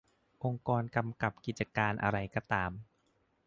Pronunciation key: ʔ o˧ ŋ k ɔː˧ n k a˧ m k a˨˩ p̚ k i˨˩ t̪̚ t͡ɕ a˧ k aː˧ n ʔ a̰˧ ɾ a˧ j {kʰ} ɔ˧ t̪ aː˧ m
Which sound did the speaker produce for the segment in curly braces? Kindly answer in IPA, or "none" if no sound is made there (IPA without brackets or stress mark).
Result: k